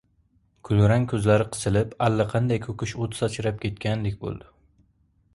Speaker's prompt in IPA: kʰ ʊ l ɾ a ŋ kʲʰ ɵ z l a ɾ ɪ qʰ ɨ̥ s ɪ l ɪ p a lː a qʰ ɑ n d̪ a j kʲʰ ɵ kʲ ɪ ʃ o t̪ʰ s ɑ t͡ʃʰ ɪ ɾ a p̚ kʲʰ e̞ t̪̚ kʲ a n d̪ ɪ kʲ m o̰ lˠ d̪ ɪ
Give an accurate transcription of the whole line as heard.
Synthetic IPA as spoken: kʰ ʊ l ɾ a ŋ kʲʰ ɵ z l a ɾ ɪ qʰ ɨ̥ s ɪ l ɪ p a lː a qʰ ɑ n d̪ a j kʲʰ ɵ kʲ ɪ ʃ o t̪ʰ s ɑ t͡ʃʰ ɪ ɾ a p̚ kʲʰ e̞ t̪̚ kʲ a n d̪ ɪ kʲ b o̰ lˠ d̪ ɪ